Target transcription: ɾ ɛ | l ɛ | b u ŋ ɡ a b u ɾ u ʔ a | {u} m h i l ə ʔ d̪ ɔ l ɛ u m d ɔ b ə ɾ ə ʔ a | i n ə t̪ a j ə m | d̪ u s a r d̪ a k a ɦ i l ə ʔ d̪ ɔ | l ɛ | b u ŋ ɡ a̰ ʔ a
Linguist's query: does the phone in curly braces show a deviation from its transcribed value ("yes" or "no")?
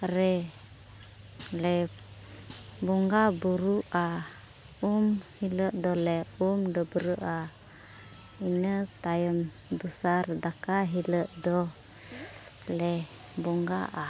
no